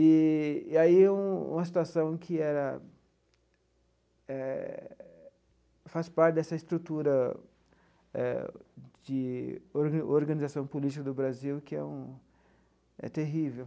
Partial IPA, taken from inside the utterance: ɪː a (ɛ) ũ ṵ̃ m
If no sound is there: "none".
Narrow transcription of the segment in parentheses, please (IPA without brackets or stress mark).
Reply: i